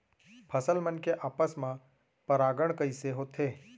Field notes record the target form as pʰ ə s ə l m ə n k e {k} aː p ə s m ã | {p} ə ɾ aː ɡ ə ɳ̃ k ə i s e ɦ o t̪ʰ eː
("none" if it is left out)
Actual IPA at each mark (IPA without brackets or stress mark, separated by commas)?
ʔ, p